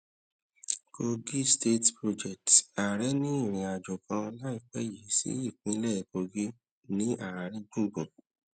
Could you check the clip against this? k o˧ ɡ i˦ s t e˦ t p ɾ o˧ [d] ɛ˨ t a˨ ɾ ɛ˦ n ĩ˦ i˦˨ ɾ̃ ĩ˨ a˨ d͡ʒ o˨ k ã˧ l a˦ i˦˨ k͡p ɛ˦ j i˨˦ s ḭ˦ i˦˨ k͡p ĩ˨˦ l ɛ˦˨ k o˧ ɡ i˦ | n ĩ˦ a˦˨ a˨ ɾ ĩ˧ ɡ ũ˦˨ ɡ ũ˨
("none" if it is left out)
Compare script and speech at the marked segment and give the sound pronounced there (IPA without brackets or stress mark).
d͡ʒ